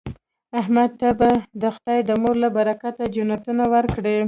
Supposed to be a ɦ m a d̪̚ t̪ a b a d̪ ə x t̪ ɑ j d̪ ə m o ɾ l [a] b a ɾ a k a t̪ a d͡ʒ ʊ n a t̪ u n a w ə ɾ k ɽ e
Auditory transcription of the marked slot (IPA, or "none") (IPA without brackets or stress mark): a